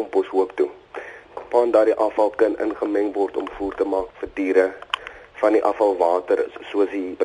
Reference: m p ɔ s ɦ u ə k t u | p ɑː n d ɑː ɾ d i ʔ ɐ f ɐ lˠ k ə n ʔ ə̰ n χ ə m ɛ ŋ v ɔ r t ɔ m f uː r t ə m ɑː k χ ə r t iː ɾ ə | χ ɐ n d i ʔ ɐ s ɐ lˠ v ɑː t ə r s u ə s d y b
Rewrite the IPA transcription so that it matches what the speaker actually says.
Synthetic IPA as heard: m p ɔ s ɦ u ə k t u | p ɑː n d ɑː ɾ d i ʔ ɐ f ɐ lˠ k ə n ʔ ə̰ n χ ə m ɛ ŋ v ɔ r t ɔ m f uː r t ə m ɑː k f ə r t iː ɾ ə | f ɐ n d i ʔ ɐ f ɐ lˠ v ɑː t ə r s u ə s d i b